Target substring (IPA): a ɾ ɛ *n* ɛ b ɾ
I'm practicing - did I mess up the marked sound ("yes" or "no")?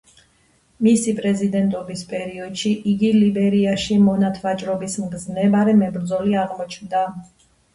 yes